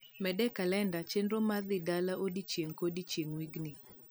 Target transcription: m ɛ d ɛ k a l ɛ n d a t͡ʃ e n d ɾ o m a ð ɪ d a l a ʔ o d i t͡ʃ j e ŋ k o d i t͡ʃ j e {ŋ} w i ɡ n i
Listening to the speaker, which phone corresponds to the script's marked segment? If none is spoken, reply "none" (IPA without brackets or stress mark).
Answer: ŋ